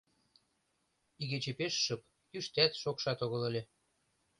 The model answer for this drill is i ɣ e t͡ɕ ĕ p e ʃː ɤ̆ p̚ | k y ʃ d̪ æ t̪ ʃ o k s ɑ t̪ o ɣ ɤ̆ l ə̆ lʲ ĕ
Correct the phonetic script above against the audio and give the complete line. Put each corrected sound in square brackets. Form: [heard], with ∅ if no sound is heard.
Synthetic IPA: i ɣ e t͡ɕ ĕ p e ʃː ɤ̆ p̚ | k y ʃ [t̪] æ t̪ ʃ o k [ʃ] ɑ t̪ o ɣ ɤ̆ l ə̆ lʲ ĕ